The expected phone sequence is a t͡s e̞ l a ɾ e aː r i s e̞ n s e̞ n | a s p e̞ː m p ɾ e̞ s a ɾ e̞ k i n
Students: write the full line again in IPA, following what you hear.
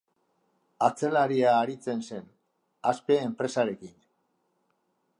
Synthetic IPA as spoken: a t͡s e̞ l a ɾ i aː ɾ i t͡s e̞ n s e̞ n | a s p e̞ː m p ɾ e̞ s a ɾ e̞ k i n